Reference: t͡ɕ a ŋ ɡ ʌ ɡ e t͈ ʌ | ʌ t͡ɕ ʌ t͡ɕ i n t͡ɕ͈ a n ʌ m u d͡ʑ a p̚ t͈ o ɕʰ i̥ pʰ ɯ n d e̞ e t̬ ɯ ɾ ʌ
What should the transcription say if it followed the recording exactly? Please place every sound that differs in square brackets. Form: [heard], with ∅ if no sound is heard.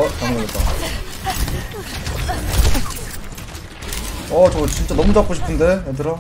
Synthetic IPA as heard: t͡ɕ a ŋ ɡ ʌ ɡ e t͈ [a] | ʌ t͡ɕ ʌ t͡ɕ i n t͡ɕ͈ a n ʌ m u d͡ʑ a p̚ [k͈] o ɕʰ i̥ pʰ ɯ n d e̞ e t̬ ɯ ɾ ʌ